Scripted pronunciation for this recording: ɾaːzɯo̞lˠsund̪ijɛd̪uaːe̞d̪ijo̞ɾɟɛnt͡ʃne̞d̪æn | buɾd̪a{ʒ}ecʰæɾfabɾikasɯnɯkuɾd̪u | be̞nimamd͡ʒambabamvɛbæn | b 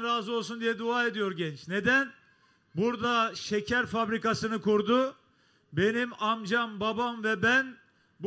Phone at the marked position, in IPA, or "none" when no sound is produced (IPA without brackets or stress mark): ʃ